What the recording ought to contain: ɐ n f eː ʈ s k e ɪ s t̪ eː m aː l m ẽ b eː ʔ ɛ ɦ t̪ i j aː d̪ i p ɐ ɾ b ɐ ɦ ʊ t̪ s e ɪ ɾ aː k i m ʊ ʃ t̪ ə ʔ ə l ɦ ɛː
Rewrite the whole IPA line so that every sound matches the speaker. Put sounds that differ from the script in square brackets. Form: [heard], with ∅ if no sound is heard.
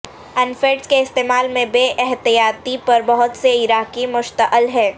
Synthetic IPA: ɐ n f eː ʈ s k e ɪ s t̪ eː m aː l m ẽ b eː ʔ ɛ ɦ t̪ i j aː [t̪] i p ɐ ɾ b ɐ ɦ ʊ t̪ s e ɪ ɾ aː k i m ʊ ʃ t̪ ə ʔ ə l ɦ ɛː

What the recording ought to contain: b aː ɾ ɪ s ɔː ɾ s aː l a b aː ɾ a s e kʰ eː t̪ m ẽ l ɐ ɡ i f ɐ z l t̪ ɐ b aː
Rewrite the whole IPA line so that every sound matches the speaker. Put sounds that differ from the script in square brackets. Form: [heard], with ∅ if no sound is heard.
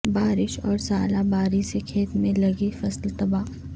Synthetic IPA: b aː ɾ ɪ [ʃ] ɔː ɾ s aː l a b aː ɾ [i] s e kʰ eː t̪ m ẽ l ɐ ɡ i f ɐ [s] l t̪ ɐ b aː

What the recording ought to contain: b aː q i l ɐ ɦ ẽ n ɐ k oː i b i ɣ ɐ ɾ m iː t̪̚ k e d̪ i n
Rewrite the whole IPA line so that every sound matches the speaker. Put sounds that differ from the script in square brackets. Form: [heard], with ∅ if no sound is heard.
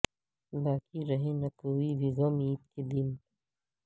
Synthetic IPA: b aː [k] i [ɾ] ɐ ɦ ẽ n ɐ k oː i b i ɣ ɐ [∅] m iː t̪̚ k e d̪ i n

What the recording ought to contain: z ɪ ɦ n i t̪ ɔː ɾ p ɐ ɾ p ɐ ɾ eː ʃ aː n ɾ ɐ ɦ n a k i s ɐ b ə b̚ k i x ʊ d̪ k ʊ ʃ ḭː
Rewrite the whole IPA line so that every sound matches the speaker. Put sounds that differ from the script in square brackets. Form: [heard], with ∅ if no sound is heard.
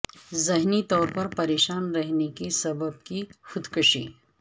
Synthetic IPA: z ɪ ɦ n i t̪ ɔː ɾ p ɐ ɾ p ɐ ɾ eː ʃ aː n ɾ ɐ ɦ n [e] k i s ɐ b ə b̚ k i x ʊ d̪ k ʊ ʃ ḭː

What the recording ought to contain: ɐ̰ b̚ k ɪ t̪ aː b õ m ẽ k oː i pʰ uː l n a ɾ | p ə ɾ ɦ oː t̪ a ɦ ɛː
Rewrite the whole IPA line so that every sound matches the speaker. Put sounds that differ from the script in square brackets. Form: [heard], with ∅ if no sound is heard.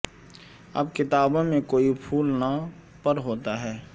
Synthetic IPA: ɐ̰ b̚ k ɪ t̪ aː b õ m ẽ k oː i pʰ uː l n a [∅] | p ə ɾ ɦ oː t̪ a ɦ ɛː

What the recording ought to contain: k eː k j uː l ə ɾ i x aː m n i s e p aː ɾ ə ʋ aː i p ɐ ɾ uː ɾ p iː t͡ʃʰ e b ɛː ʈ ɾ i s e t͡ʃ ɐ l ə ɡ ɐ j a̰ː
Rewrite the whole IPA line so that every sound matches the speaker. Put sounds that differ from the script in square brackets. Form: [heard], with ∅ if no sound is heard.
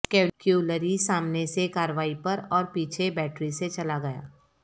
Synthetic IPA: k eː k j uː l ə ɾ i [s] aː m n [e] s e [k] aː ɾ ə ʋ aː i p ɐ ɾ [ɔː] ɾ p iː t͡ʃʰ e b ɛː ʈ ɾ i s e t͡ʃ ɐ l [a] ɡ ɐ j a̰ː

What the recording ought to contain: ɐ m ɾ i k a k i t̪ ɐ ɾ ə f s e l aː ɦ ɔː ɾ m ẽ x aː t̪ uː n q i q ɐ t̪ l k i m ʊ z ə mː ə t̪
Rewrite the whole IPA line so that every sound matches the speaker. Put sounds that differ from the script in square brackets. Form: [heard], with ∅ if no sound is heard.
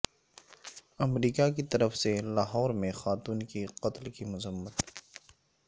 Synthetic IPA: ɐ m ɾ [iː] k a k i t̪ ɐ ɾ ə f s e l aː ɦ ɔː ɾ m ẽ x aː t̪ uː n [k] i q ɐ t̪ l k i m ʊ z ə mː ə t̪

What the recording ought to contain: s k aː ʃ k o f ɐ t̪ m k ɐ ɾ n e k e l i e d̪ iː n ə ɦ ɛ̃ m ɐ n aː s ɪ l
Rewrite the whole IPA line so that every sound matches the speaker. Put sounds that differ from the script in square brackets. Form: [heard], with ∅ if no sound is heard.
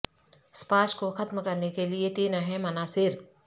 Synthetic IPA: s [p] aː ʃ k o [x] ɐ t̪ m k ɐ ɾ n e k e l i e [t̪] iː n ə ɦ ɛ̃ m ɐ n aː s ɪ [ɾ]

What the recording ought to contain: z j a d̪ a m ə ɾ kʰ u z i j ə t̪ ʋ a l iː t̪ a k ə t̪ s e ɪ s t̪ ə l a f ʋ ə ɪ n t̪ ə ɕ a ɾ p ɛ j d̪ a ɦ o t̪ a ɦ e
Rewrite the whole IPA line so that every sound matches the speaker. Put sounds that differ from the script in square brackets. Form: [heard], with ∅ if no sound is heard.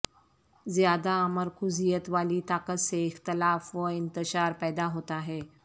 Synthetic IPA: z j a d̪ a m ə ɾ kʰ u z i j ə t̪ ʋ a l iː t̪ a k ə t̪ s e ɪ [x] t̪ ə l a f ʋ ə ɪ n t̪ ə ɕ a ɾ p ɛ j d̪ a ɦ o t̪ a ɦ e

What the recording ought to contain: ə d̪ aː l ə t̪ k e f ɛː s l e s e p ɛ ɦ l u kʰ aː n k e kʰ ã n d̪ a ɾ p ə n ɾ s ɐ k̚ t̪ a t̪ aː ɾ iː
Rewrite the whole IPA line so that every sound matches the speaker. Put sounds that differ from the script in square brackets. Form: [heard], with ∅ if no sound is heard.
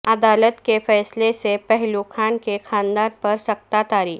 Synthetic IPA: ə d̪ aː l ə t̪ k e f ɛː s l e s e p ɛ ɦ l u kʰ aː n k e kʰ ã n d̪ a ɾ p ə [∅] ɾ s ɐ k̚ t̪ a t̪ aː ɾ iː

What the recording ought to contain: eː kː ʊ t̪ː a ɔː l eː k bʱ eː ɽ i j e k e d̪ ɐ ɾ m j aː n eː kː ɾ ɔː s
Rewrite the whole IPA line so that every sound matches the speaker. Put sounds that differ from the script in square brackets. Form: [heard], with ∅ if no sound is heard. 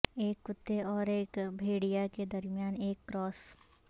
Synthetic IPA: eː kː ʊ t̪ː [e] ɔː [ɾ] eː k bʱ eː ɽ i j [a] k e d̪ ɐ ɾ m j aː n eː kː ɾ ɔː s

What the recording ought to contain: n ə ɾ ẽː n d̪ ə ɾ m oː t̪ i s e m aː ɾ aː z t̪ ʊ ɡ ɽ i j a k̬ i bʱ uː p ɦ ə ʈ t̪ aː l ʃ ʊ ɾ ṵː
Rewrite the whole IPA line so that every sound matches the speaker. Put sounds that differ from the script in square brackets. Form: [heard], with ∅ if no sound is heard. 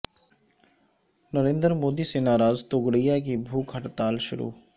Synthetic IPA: n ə ɾ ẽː n d̪ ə ɾ m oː [d̪] i s e [n] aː ɾ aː z t̪ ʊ ɡ ɽ i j a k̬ i bʱ uː [k] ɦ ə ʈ t̪ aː l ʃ ʊ ɾ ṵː

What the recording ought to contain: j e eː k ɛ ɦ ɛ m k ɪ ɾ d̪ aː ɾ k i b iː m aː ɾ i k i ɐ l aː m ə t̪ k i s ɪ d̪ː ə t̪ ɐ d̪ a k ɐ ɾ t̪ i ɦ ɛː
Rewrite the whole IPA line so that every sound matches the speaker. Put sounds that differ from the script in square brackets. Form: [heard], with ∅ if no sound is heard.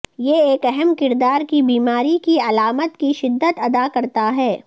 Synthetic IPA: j e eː k ɛ ɦ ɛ m k ɪ ɾ d̪ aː ɾ k i b iː m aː ɾ i k i ɐ l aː m ə t̪ k i [ʃ] ɪ d̪ː ə t̪ ɐ d̪ a k ɐ ɾ t̪ [a] ɦ ɛː

